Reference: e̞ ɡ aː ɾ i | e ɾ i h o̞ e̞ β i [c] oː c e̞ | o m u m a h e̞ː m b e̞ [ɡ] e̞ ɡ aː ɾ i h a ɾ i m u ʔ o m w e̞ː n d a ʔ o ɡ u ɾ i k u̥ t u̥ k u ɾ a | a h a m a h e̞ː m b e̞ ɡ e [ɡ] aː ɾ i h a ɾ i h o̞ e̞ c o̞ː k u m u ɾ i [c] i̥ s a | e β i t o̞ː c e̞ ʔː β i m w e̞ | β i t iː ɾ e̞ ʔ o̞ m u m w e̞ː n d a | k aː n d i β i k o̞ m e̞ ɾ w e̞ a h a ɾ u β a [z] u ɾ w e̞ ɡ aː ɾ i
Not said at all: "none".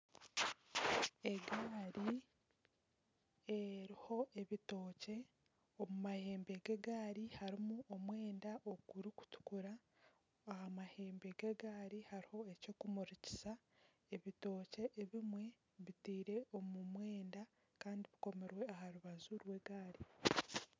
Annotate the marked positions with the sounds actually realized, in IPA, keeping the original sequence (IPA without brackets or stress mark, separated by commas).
t, ɡ, ɡ, c, z